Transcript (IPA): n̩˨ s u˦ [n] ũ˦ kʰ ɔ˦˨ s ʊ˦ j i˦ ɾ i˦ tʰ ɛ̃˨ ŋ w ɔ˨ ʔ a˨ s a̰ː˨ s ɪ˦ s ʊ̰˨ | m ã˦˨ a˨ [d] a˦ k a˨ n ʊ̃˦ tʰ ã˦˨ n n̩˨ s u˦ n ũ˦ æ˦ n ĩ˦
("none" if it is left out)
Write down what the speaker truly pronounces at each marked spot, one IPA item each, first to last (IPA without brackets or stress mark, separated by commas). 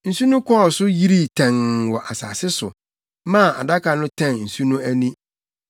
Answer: n, d